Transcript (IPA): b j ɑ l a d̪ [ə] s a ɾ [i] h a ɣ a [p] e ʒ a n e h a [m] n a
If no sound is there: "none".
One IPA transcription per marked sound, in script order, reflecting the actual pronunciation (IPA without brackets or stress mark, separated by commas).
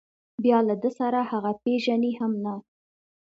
ə, a, p, m